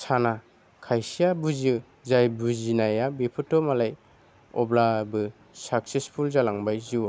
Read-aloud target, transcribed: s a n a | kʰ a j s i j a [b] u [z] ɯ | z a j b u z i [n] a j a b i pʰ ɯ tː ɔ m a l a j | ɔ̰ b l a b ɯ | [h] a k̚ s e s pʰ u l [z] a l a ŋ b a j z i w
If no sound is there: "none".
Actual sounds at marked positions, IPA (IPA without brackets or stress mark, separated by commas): b, z, n, s, z